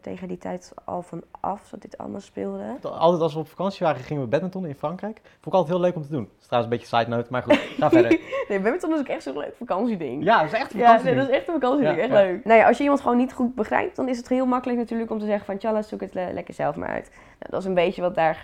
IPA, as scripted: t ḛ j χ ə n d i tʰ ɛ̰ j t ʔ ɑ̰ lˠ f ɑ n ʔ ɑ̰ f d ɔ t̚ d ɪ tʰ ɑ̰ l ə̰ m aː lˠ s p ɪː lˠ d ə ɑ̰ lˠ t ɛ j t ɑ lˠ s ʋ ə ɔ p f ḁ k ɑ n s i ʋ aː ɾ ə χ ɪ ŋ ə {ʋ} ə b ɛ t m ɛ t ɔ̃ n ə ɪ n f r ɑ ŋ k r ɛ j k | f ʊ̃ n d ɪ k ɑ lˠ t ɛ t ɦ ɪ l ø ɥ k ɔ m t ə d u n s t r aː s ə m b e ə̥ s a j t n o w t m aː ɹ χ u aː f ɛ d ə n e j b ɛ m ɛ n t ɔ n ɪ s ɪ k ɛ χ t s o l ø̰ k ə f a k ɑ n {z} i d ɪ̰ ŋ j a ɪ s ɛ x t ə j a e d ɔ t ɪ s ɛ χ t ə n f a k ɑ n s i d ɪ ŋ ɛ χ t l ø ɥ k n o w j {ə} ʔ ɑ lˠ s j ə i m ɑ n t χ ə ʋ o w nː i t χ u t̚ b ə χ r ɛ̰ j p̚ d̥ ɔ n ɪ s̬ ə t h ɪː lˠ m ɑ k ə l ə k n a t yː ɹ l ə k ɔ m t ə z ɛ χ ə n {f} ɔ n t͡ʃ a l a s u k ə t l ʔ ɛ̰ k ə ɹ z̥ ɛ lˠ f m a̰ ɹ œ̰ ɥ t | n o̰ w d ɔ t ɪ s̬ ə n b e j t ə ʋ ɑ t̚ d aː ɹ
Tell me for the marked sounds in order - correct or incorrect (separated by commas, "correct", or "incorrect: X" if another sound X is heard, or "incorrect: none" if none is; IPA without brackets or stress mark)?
correct, incorrect: s, incorrect: a, correct